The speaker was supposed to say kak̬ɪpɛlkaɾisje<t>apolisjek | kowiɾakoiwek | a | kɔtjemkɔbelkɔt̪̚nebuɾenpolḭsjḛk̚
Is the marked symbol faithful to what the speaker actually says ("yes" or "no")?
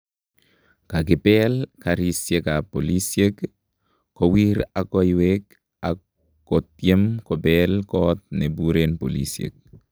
no